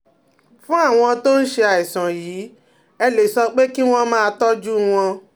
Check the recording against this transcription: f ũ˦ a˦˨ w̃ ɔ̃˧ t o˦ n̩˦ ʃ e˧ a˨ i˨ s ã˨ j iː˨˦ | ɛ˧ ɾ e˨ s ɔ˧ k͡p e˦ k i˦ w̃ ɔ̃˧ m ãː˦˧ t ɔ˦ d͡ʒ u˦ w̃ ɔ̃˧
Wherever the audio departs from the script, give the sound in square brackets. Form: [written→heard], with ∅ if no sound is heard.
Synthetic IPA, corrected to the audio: f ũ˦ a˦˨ w̃ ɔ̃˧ t o˦ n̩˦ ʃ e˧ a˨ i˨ s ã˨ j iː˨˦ | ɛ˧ [ɾ→l] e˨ s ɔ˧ k͡p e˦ k i˦ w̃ ɔ̃˧ m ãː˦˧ t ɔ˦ d͡ʒ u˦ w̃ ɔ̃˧